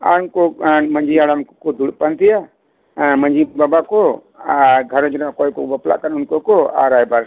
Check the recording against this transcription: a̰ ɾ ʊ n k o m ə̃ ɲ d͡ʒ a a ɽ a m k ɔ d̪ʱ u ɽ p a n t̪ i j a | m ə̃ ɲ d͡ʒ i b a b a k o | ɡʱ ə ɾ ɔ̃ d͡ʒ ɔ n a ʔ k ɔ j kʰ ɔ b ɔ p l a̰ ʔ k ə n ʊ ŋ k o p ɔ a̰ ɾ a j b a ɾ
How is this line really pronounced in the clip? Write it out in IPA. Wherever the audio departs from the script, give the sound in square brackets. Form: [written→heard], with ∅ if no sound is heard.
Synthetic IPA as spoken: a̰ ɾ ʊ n k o m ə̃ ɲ d͡ʒ [a→i] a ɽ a m k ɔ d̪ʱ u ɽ p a n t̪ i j a | m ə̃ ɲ d͡ʒ i b a b a k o | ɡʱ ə ɾ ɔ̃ d͡ʒ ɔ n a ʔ k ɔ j [kʰ→k] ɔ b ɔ p l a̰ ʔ k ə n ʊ [ŋ→n] k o [p→k] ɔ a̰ ɾ a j b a ɾ